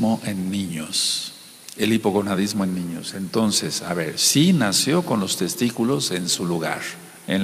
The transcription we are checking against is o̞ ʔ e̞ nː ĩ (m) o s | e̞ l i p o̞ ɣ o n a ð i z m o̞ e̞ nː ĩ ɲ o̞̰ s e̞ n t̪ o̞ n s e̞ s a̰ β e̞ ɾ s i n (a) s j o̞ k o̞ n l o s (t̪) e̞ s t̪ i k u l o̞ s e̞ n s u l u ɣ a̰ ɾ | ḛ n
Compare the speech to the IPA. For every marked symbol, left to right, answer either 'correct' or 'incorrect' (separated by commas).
incorrect, correct, correct